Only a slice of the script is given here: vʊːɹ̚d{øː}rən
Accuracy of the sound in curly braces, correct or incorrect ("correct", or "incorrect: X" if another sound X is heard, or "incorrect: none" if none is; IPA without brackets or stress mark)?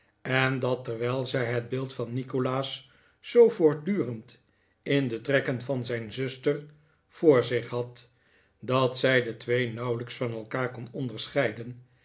incorrect: yː